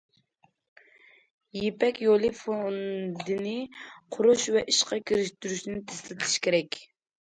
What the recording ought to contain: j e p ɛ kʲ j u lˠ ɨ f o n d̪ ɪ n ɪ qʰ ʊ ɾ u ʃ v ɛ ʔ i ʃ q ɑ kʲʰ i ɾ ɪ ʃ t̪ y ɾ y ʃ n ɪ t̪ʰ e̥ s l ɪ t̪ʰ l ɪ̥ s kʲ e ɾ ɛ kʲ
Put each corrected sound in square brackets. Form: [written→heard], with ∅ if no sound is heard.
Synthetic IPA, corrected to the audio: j e p ɛ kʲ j [u→o] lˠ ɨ f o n d̪ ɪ n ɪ qʰ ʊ ɾ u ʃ v ɛ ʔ i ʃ q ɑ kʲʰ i ɾ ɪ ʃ t̪ y ɾ y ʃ n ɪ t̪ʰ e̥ s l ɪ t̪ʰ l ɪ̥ [s→ʃ] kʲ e ɾ ɛ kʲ